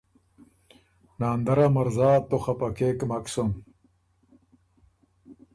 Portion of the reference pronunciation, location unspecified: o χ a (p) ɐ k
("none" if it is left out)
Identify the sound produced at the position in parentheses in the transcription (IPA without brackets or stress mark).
p